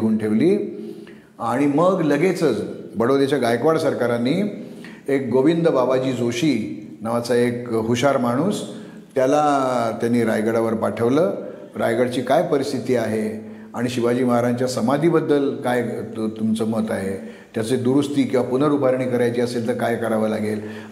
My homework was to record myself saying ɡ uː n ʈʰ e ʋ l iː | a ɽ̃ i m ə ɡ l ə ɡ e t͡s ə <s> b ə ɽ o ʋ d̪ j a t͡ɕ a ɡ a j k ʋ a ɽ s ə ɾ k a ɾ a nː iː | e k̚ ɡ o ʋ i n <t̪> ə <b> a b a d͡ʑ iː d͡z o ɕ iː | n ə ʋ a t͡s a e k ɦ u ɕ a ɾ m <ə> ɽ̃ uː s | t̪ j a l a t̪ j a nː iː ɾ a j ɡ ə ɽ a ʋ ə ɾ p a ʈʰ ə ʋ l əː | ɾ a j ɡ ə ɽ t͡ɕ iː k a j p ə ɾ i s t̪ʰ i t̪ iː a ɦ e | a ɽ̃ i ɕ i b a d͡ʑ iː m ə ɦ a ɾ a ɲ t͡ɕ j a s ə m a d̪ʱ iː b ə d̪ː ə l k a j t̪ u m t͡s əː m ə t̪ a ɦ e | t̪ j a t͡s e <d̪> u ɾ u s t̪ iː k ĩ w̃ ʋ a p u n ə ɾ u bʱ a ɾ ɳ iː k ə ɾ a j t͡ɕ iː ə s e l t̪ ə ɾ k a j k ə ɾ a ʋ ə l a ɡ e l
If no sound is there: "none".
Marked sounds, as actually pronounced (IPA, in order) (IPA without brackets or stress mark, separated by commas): t͡s, d̪, b, a, d̪